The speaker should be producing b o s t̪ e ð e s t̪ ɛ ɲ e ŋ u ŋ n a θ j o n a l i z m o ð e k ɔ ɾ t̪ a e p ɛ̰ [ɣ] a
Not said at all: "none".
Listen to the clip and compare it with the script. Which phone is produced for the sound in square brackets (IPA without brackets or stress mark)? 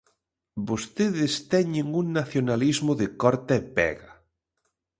ɣ